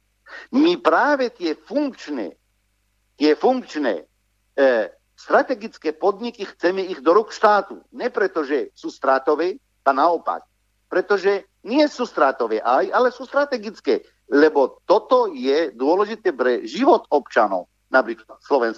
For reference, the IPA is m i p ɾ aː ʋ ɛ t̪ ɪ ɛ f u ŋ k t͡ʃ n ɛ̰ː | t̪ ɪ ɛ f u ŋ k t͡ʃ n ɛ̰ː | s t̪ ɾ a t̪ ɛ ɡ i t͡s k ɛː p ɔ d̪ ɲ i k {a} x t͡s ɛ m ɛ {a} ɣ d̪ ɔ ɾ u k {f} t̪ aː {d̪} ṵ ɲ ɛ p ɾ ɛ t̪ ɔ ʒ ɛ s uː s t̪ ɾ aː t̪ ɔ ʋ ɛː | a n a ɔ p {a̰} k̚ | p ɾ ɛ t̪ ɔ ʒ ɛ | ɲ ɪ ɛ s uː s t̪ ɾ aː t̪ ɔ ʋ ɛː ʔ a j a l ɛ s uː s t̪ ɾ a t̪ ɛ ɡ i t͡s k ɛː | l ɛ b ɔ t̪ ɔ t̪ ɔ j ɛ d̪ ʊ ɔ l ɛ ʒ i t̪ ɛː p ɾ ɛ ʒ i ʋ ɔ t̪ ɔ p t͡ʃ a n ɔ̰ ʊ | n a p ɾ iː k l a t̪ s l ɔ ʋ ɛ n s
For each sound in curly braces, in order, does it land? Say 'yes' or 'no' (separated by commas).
no, no, no, no, yes